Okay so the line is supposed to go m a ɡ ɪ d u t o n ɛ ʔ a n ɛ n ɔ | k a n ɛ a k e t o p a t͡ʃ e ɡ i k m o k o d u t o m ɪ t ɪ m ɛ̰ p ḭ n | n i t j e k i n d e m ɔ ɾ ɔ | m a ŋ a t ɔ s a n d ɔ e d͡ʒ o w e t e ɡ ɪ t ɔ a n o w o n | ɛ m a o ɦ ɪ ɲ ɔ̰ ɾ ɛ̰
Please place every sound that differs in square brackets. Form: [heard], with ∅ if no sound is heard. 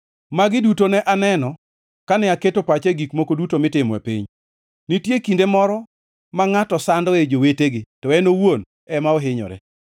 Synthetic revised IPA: m a ɡ ɪ d u t o n ɛ ʔ a n ɛ n ɔ | k a n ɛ a k e t o p a t͡ʃ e ɡ i k m o k o d u t o m ɪ t ɪ m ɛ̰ p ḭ [ɲ] | n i t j e k i n d e m ɔ ɾ ɔ | m a ŋ a t ɔ s a n d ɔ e d͡ʒ o w e t e ɡ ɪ t ɔ [ɛ] n o w o n | ɛ m a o ɦ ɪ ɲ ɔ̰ ɾ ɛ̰